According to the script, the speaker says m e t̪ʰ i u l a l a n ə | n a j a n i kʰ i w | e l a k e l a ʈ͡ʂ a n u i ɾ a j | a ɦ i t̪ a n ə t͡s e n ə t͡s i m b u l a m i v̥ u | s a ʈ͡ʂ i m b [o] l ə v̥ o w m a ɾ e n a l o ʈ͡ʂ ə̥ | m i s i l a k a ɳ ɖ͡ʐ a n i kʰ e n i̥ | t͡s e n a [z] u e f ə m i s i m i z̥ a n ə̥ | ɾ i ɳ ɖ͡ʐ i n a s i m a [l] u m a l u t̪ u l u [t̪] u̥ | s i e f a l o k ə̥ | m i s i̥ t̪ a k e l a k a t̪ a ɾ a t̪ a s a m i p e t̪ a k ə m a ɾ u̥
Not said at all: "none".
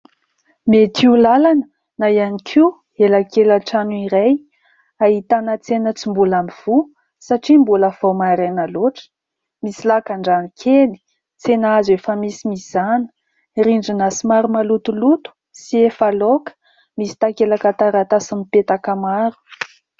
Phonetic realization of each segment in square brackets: u, z, ɾ, t̪

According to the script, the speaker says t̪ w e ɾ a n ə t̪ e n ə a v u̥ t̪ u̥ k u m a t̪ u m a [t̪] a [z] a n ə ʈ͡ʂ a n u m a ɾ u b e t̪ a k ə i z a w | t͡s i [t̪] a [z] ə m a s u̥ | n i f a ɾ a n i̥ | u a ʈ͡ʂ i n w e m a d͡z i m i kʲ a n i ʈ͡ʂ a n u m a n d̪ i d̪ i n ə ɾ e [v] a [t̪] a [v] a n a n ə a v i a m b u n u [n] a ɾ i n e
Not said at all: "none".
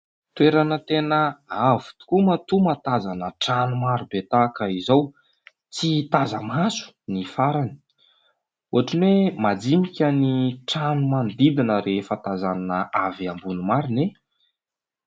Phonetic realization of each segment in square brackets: t̪, z, t̪, z, f, t̪, z, m

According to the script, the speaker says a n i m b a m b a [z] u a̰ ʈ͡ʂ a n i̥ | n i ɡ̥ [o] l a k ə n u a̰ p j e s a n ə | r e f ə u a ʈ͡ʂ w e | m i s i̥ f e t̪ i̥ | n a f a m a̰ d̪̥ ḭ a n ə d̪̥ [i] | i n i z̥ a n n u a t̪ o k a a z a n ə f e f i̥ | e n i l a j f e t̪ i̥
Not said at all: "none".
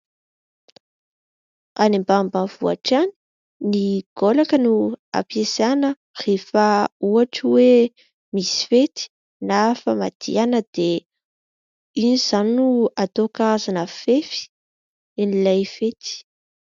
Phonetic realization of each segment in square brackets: v, o, e

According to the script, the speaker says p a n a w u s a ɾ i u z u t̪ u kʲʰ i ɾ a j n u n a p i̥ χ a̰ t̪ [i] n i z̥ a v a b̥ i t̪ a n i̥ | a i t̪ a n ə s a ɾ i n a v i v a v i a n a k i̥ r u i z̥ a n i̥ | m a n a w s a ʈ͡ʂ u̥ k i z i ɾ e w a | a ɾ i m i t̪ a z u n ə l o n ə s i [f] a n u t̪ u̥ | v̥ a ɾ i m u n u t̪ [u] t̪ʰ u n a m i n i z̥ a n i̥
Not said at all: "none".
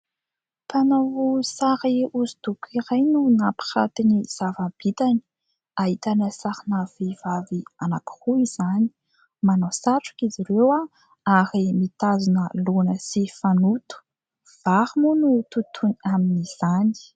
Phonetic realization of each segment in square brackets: i, f, u

